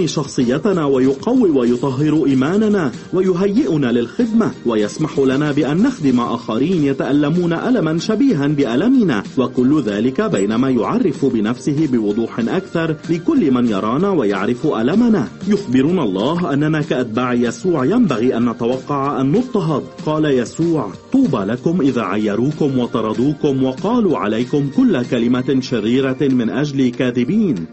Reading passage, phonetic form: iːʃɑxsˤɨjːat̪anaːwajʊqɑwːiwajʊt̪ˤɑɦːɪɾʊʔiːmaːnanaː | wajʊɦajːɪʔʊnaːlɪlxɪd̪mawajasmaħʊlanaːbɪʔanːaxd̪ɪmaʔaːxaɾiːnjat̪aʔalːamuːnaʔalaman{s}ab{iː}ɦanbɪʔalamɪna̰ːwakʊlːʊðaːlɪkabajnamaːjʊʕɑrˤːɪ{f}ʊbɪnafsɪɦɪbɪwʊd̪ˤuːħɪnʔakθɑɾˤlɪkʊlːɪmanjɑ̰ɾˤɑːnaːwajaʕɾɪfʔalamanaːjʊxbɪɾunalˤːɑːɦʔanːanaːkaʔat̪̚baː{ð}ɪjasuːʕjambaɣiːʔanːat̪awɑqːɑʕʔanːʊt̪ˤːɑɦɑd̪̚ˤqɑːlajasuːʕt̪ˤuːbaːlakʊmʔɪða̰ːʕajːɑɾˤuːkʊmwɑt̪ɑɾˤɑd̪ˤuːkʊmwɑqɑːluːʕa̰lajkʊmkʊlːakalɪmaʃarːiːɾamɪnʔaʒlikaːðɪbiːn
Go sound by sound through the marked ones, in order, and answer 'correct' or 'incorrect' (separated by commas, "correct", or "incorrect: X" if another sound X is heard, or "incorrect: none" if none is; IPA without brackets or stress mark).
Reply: incorrect: ʃ, correct, correct, incorrect: ʕ